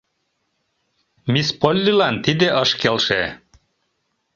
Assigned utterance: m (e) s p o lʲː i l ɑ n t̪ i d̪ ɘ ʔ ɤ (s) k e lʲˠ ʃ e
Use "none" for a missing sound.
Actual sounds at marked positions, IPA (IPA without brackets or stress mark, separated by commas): i, ʃ